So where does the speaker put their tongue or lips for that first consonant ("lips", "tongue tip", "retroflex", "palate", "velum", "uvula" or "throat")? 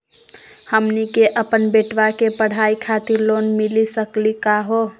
throat